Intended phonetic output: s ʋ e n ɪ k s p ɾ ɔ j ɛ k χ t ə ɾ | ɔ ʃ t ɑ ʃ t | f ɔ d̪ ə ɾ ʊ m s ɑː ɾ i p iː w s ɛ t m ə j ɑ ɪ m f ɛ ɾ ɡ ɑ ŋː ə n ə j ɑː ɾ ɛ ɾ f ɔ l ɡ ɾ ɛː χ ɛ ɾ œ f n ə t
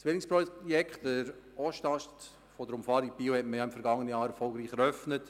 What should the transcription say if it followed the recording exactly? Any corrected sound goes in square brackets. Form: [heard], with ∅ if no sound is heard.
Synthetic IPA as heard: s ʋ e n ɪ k s p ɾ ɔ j ɛ k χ t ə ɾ | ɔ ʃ t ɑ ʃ t | f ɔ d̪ ə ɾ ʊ m [f] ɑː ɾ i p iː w [h] ɛ t m ə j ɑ ɪ m f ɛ ɾ ɡ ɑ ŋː ə n ə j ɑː ɾ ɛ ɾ f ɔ l ɡ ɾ [iː] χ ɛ ɾ œ f n ə t